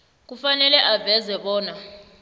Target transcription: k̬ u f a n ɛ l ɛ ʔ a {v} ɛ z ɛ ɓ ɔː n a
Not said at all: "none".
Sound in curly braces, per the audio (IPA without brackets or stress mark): v